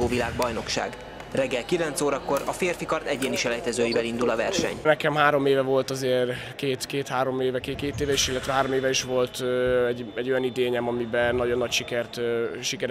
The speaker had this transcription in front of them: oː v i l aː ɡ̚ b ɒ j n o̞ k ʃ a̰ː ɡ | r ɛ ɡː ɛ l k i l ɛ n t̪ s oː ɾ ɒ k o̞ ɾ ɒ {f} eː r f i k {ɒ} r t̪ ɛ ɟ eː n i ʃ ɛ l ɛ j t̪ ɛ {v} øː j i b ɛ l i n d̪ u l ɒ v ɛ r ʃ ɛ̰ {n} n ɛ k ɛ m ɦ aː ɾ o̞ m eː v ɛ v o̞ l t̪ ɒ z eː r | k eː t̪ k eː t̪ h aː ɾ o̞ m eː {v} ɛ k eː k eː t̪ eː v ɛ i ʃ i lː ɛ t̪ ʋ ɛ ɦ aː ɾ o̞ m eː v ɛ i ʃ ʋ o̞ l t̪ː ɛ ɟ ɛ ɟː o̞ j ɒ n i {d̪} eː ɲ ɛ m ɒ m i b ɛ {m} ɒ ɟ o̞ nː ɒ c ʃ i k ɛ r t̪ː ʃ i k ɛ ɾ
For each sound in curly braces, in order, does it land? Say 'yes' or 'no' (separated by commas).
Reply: yes, yes, no, no, yes, yes, no